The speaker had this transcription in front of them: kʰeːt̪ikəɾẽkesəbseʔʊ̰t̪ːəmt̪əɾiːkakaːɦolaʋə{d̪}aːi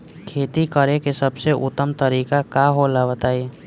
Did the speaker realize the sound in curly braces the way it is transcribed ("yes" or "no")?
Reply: no